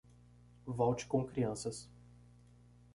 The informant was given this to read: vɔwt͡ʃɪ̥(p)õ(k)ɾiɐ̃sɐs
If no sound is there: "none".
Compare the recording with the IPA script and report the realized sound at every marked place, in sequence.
k, k

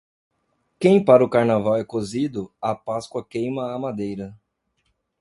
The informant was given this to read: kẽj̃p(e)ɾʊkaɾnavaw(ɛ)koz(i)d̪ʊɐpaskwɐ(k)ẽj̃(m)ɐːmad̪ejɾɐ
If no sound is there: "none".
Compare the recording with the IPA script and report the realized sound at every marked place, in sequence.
a, ɛ, i, k, m

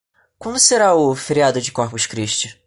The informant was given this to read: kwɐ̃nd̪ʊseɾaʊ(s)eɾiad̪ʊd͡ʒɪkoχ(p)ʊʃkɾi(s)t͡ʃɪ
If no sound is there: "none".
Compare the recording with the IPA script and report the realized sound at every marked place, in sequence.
f, p, ʃ

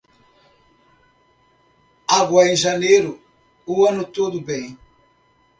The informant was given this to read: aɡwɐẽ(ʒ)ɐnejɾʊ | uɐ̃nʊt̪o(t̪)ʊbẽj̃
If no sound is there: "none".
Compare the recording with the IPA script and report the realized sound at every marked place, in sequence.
ʒ, d̪

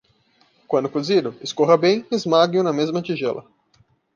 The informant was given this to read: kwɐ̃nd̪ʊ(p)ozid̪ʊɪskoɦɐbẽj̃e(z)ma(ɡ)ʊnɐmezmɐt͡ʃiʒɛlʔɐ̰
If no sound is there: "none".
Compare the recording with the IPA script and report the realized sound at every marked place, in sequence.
k, z, ɡ

